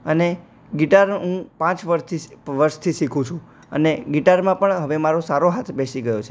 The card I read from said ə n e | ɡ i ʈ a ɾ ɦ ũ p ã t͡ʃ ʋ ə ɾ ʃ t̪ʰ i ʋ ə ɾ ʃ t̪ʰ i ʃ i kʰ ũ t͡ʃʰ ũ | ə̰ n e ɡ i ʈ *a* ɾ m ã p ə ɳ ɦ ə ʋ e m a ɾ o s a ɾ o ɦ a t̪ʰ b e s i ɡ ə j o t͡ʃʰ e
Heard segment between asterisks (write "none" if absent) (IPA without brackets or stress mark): a